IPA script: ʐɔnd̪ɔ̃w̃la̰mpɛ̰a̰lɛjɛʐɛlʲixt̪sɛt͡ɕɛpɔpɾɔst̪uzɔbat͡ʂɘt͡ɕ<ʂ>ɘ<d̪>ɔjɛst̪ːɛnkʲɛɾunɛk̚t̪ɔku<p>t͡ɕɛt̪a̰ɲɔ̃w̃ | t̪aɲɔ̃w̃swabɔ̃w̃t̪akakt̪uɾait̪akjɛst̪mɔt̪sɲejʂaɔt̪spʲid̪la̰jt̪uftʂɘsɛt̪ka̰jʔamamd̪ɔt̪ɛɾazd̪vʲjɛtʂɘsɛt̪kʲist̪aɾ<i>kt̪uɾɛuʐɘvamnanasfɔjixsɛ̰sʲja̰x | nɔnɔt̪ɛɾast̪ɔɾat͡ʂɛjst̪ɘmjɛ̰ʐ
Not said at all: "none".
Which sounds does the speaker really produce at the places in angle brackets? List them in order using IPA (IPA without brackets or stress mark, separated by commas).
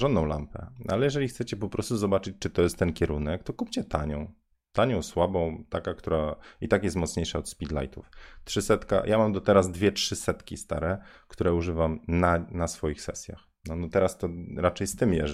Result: t͡ʂ, t̪, p, ɛ